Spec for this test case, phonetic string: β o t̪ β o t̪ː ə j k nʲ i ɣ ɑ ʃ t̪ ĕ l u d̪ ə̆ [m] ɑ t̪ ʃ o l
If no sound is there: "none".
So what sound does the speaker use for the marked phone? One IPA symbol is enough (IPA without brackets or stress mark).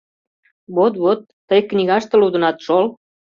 n